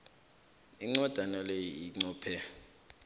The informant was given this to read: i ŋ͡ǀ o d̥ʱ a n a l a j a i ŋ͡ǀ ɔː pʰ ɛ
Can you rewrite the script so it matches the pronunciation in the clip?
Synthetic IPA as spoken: i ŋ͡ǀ ɔ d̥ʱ a n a l e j i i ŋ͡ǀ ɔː pʰ ɛ